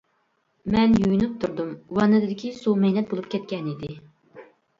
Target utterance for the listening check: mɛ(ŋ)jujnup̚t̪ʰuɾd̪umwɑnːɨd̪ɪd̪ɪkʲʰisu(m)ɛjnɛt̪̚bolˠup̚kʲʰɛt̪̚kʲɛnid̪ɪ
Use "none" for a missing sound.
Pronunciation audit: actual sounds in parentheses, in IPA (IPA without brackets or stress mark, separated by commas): n, m